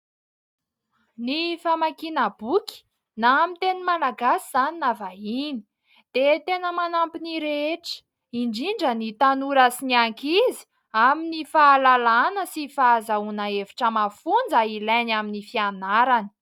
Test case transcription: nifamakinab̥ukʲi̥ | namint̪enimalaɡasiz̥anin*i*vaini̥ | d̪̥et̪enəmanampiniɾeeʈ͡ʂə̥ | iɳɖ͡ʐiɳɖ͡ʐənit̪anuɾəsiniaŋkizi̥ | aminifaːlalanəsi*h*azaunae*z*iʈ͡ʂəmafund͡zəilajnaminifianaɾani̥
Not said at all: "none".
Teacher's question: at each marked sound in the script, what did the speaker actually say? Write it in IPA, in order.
a, f, v

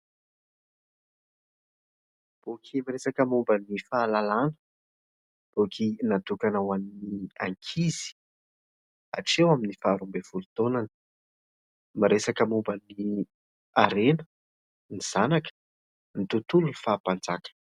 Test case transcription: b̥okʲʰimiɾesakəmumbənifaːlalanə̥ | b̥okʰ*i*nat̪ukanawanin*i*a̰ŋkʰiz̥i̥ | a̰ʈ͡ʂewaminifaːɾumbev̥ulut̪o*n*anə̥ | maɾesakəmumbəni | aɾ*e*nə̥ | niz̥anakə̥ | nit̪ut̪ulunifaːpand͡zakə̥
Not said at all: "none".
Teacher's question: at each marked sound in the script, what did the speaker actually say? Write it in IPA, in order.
i, i, n, e

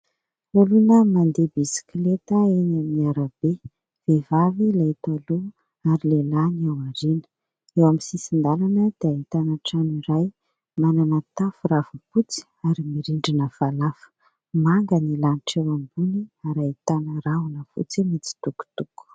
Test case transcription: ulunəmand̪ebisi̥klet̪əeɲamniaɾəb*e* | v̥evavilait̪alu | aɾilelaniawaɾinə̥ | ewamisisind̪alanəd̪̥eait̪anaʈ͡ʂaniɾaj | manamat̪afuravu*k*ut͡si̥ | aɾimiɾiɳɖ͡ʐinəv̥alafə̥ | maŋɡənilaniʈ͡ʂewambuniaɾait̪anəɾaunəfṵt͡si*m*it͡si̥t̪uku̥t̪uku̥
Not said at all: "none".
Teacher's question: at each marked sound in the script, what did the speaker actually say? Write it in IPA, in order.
e, p, m

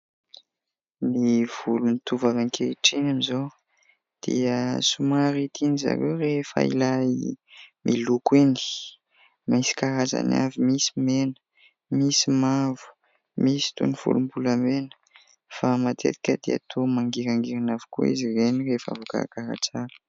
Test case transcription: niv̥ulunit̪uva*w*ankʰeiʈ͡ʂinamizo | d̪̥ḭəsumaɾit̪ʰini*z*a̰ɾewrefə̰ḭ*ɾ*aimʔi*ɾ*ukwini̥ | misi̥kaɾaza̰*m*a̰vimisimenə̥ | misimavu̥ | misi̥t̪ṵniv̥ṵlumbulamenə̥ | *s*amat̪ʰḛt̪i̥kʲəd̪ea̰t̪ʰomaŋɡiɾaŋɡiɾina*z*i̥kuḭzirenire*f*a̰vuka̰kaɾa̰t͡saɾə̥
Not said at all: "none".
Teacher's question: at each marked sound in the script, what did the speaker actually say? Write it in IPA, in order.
v, z, l, l, n, f, v, f

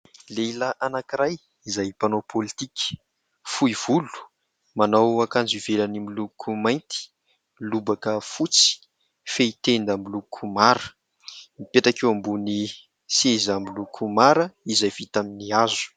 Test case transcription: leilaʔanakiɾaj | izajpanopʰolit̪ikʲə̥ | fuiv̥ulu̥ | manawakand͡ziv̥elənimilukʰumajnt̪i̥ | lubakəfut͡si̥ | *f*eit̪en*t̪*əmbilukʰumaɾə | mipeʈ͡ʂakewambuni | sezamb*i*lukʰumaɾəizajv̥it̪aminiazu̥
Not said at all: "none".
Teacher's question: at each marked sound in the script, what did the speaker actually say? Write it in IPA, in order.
f, d̪, i

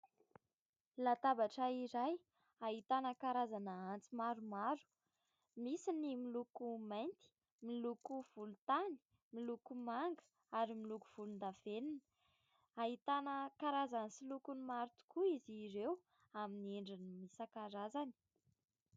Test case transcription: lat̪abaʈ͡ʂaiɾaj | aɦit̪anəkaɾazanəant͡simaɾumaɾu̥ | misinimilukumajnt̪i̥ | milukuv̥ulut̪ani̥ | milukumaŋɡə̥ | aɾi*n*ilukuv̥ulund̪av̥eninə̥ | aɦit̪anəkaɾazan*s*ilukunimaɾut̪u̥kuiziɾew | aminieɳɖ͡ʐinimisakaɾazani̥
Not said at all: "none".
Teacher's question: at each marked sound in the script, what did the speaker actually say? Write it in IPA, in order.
m, s

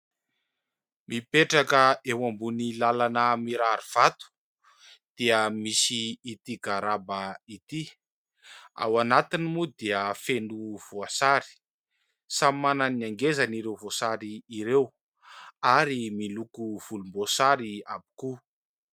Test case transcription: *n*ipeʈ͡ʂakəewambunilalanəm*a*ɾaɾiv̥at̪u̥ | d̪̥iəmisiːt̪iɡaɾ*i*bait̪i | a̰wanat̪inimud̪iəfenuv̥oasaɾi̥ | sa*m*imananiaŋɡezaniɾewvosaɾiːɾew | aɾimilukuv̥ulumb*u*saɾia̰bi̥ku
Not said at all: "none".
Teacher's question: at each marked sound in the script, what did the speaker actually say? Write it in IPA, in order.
m, i, a, m, o

